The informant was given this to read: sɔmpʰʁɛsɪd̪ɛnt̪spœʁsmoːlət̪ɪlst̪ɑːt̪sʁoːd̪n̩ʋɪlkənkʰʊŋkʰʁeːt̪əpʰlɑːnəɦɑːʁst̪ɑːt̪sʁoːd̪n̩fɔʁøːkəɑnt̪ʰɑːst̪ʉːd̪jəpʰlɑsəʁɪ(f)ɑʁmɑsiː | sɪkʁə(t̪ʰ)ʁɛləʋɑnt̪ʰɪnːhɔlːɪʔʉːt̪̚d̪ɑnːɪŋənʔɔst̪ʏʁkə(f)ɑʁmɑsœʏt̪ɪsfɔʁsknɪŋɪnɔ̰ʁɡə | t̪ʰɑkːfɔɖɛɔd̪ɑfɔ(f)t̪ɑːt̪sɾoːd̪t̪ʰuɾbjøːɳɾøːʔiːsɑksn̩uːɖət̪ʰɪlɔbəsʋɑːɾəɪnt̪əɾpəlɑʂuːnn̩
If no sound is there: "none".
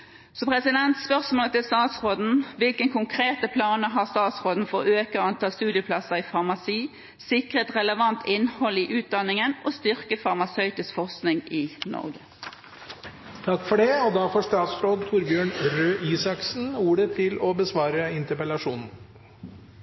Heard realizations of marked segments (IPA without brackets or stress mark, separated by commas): f, t̪, f, ʂ